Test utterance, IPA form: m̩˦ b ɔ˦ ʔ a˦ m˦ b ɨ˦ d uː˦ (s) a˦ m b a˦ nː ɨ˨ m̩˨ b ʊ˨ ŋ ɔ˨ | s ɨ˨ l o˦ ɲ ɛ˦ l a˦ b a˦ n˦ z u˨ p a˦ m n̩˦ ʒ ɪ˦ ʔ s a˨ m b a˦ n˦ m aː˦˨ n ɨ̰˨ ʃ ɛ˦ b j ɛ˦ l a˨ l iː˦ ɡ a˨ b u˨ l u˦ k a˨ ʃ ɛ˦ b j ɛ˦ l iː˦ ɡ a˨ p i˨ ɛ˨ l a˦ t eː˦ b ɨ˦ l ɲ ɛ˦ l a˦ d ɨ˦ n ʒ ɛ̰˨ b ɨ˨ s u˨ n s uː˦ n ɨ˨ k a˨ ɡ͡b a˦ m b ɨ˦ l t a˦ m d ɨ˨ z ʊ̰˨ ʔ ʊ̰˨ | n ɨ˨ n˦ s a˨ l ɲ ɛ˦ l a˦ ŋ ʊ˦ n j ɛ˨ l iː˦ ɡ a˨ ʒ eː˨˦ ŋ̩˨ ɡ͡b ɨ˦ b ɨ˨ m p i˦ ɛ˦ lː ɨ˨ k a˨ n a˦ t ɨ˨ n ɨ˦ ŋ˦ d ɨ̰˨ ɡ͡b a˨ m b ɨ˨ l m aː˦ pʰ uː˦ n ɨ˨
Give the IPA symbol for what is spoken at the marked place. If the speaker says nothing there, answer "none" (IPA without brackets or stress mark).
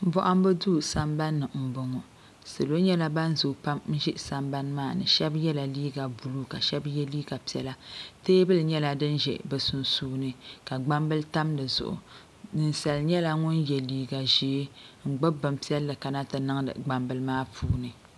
s